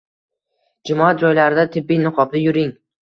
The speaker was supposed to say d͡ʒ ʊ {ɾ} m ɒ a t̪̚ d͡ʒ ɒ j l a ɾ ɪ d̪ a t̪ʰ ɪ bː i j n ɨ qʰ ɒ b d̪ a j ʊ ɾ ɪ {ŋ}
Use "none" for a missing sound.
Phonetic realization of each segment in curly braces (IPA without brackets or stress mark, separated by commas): none, ŋ